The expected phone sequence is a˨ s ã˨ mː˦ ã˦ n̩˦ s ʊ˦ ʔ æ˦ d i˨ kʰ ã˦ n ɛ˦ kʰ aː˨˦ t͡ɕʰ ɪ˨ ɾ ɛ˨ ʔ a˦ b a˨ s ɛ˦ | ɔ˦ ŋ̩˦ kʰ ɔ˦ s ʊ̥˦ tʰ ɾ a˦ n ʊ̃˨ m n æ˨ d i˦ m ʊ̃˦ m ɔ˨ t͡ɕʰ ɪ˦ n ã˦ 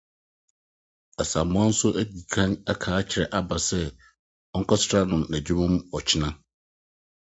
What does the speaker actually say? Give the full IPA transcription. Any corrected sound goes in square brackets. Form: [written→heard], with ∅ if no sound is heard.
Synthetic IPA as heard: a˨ s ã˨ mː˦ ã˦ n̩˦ s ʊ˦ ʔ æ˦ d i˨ kʰ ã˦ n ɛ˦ kʰ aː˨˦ t͡ɕʰ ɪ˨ ɾ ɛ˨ ʔ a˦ b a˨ s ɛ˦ | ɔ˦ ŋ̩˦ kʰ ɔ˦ s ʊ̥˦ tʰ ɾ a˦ n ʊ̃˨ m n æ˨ [d→d͡ʑ] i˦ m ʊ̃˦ m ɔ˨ t͡ɕʰ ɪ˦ n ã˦